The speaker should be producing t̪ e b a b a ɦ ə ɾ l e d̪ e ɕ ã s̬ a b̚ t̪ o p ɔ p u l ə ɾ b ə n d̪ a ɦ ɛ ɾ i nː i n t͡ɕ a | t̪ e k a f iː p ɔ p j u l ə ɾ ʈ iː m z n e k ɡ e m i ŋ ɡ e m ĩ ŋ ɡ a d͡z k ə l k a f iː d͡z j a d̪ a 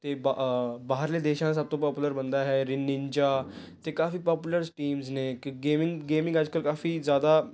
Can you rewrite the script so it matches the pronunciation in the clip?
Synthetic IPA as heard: t̪ e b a b a ɦ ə ɾ l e d̪ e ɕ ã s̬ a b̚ t̪ o p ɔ p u l ə ɾ b ə n d̪ a ɦ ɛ ɾ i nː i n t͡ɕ a | t̪ e k a f iː p ɔ p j u l ə ɾ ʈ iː m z n e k ɡ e m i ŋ ɡ e m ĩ ŋ ɡ a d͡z k ə l k a f iː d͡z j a d̪ a